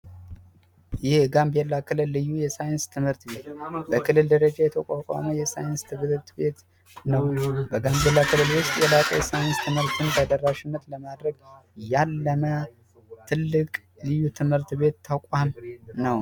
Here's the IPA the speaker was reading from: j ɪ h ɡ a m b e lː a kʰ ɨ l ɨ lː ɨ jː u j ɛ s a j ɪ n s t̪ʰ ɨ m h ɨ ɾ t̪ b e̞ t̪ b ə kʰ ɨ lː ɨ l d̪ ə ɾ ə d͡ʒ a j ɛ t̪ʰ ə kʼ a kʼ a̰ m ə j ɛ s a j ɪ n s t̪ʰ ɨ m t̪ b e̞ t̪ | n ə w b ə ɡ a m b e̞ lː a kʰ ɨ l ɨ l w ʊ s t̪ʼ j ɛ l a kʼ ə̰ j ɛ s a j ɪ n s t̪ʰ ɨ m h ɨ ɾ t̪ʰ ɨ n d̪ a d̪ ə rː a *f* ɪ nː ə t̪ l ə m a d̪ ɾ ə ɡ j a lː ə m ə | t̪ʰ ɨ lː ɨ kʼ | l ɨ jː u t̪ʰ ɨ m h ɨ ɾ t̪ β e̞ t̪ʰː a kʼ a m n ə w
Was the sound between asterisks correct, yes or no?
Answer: no